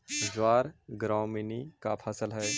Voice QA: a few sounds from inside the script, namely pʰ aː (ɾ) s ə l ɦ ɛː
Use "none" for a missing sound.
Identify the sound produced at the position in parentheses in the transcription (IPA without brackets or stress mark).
none